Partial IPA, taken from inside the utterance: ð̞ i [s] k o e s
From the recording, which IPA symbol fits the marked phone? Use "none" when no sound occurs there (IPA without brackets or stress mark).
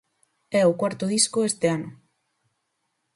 s